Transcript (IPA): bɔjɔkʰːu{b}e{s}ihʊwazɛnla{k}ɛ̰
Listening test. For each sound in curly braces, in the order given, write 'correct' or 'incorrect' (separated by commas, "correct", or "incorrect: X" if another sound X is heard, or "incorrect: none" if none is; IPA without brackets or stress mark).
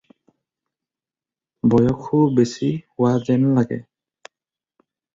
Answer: correct, correct, incorrect: ɡ